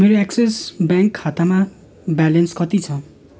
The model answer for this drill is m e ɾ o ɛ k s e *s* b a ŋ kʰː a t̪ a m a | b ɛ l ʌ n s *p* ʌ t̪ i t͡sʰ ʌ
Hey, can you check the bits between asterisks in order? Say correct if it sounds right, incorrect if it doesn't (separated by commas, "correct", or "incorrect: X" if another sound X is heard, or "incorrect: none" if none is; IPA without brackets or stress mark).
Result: correct, incorrect: k